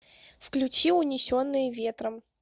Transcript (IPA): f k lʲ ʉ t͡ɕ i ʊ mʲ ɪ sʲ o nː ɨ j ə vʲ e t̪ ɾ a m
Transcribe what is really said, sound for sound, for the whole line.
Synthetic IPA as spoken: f k lʲ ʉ t͡ɕ i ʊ nʲ ɪ sʲ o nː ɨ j ə vʲ e t̪ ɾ ə m